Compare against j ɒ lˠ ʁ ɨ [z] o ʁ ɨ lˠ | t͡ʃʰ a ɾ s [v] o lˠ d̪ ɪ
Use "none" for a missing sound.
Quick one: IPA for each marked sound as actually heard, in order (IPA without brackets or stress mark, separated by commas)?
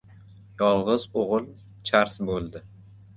z, b